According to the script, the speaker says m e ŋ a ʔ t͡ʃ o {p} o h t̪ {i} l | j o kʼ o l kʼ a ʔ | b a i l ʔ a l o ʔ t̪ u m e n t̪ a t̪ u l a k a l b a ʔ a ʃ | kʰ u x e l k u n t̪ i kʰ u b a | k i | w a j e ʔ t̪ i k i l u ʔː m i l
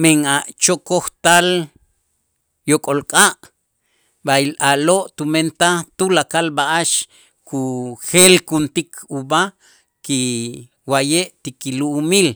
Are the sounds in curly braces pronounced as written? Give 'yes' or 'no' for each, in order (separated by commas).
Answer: no, no